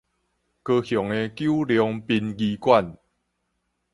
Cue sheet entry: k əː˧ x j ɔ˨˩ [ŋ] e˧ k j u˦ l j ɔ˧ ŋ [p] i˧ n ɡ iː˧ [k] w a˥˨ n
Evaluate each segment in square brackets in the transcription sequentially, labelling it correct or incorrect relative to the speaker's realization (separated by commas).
correct, correct, correct